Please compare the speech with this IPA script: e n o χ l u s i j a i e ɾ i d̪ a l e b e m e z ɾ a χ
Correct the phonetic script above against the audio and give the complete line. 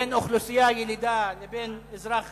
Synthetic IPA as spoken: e n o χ l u s i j a j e l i d̪ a l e b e n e z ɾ a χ